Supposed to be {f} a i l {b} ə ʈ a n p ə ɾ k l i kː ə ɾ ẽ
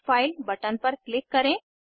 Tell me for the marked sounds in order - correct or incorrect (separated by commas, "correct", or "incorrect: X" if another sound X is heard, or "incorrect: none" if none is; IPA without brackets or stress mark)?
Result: correct, correct